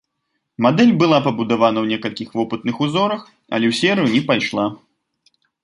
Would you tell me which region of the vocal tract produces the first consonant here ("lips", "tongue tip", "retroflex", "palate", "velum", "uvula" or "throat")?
lips